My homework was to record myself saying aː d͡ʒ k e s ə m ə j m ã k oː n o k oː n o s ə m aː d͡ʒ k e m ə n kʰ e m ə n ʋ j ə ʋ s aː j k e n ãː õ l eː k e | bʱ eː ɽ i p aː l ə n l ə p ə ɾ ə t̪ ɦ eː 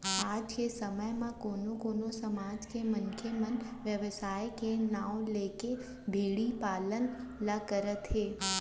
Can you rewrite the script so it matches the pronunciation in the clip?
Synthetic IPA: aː d͡ʒ k e s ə m ə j m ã k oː n o k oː n o s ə m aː d͡ʒ k e m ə n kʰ e m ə n ʋ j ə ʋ s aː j k e n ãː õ l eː k e | bʱ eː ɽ i p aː l ə n l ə k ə ɾ ə t̪ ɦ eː